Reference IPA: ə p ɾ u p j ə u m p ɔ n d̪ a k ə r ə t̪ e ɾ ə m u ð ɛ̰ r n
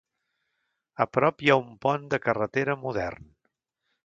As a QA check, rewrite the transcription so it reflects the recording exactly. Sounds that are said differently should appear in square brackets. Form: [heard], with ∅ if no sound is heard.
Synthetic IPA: ə p ɾ [ɔ] p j [a] u m p ɔ n d̪ [ə] k ə r ə t̪ e ɾ ə m u ð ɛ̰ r n